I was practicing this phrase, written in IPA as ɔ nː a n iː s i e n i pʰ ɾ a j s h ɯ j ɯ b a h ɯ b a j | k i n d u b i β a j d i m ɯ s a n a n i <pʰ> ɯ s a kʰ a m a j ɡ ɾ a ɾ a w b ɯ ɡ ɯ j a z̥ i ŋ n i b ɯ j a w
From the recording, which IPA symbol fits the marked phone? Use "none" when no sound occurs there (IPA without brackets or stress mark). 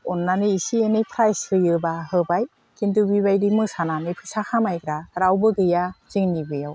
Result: pʰ